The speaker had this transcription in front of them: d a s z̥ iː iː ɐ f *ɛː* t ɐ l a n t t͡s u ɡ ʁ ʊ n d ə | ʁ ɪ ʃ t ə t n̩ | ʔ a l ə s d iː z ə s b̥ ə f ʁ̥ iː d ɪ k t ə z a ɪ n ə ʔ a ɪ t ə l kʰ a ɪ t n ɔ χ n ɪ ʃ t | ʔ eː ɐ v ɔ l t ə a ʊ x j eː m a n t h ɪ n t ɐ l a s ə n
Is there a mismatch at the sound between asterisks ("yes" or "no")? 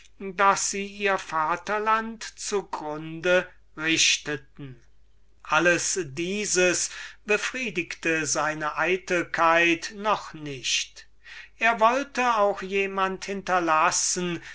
yes